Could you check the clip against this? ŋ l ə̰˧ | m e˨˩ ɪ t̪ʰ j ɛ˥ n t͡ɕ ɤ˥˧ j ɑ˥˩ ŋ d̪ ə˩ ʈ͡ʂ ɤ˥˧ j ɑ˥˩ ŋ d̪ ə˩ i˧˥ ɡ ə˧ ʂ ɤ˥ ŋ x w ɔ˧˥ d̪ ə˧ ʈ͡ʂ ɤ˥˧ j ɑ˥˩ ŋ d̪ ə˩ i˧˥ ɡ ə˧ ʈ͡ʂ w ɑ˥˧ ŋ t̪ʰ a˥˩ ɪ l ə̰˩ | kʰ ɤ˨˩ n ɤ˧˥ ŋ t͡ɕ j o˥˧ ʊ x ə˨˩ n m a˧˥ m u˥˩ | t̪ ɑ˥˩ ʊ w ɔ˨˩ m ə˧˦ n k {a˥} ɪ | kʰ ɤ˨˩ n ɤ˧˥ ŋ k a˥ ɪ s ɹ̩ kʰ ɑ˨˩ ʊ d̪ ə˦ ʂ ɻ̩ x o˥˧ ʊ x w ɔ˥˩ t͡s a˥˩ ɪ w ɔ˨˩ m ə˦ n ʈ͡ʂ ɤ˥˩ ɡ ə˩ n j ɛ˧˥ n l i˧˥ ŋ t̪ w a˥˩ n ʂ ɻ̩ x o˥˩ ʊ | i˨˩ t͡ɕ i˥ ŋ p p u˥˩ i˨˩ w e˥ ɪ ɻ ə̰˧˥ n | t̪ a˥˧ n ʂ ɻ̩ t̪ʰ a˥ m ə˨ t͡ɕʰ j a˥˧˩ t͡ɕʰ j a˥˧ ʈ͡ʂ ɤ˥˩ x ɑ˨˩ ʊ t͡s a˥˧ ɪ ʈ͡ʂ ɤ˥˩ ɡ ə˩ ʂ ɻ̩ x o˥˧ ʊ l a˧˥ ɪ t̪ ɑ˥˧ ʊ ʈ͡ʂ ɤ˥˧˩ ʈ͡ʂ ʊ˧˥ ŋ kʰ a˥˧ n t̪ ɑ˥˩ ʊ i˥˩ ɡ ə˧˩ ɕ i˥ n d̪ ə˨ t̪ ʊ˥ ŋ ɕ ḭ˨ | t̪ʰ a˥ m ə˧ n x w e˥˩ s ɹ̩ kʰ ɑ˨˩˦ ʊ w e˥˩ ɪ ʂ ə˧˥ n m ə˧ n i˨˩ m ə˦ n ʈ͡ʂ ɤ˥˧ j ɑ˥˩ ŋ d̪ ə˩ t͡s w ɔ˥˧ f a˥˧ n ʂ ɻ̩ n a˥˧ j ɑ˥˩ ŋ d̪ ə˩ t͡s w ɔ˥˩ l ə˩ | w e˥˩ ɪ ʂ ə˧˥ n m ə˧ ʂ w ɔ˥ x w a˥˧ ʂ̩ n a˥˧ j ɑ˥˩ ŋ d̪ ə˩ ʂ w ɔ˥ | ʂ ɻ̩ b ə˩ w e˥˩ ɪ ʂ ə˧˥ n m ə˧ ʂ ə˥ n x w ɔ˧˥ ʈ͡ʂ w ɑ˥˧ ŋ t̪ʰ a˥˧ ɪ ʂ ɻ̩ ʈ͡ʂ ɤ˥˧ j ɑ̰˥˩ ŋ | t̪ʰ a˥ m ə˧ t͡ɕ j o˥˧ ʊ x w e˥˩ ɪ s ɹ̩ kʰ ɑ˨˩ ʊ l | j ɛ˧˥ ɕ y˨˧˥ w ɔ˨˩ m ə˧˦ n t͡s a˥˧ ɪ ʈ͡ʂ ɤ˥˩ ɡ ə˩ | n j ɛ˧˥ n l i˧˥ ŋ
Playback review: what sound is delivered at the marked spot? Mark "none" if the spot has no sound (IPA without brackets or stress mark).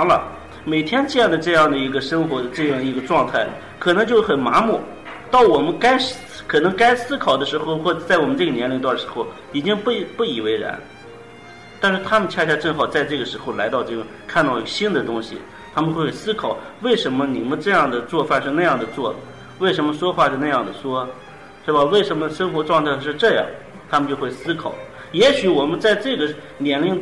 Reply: a˥